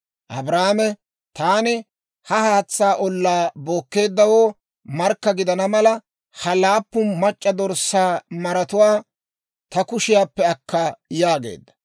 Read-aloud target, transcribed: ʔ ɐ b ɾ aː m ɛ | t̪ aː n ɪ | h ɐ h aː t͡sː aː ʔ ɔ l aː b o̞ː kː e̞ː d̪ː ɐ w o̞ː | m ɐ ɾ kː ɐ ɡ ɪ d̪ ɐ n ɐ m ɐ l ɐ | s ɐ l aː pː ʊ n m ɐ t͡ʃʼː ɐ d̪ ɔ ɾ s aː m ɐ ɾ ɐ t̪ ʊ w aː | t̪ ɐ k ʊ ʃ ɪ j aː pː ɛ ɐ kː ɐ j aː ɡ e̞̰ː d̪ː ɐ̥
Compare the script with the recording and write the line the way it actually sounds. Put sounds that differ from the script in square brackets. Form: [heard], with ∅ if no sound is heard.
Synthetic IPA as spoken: ʔ ɐ b ɾ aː m ɛ | t̪ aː n ɪ | h ɐ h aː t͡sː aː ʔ ɔ [lː] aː b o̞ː kː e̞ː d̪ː ɐ w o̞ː | m ɐ ɾ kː ɐ ɡ ɪ d̪ ɐ n ɐ m ɐ l ɐ | [h] ɐ l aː pː ʊ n m ɐ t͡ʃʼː ɐ d̪ ɔ ɾ s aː m ɐ ɾ ɐ t̪ ʊ w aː | t̪ ɐ k ʊ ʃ ɪ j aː pː ɛ ɐ kː ɐ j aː ɡ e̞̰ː d̪ː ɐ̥